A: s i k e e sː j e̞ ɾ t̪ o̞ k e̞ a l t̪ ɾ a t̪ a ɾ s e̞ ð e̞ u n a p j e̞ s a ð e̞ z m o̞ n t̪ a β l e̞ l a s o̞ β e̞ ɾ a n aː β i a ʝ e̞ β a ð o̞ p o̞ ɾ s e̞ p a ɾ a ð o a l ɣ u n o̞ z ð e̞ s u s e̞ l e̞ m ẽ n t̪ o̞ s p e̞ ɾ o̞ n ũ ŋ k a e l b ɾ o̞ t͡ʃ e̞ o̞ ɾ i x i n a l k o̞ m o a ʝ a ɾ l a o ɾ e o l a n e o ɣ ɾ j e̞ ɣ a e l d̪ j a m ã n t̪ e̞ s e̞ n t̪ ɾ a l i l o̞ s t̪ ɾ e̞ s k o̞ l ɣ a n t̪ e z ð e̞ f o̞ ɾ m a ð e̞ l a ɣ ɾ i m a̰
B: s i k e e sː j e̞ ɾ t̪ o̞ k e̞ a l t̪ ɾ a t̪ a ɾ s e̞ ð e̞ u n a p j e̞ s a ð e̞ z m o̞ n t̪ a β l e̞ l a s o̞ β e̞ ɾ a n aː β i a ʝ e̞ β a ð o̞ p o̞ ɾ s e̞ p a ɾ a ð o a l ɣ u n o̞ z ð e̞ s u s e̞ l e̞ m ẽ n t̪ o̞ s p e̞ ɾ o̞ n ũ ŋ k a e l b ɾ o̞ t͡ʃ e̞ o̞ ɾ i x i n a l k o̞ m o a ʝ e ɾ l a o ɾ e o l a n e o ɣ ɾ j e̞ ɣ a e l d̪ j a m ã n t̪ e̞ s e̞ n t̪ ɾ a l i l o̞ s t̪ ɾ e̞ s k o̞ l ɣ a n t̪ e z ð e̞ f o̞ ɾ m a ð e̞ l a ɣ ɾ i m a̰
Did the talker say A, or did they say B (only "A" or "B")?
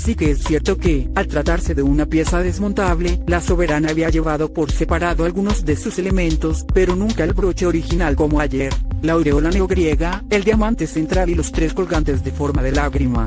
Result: B